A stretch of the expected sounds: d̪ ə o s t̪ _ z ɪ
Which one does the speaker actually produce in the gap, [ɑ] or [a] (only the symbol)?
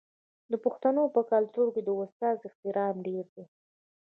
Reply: ɑ